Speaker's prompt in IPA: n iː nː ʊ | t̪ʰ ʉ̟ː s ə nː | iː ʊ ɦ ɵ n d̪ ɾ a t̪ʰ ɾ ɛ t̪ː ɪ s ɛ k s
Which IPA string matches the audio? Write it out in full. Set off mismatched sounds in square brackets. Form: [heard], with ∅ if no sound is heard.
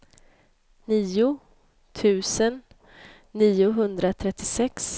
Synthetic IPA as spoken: n iː [∅] ʊ | t̪ʰ ʉ̟ː s ə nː | iː ʊ ɦ ɵ n d̪ ɾ a t̪ʰ ɾ ɛ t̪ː ɪ s ɛ k s